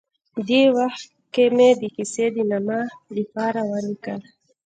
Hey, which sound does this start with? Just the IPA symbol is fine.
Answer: d̪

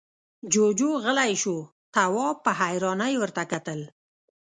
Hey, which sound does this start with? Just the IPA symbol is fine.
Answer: d͡ʒ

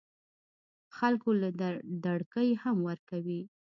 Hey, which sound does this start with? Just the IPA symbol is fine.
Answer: x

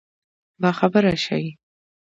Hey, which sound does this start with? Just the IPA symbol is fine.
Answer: b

